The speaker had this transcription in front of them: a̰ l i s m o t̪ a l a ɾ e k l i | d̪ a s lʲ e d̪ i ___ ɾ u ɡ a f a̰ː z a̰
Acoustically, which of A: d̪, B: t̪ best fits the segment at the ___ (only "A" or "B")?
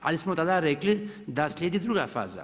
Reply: A